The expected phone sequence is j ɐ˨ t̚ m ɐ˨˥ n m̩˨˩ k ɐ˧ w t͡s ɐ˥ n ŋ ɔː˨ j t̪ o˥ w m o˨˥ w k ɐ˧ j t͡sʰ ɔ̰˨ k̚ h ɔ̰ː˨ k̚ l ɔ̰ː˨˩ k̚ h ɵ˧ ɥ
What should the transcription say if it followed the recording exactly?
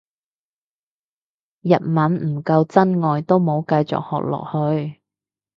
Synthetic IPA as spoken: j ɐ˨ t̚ m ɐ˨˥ n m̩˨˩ k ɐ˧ w t͡s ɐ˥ n ŋ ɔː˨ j t̪ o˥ w m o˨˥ w k ɐ˧ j t͡s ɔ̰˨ k̚ h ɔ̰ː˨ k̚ l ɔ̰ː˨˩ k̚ h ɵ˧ ɥ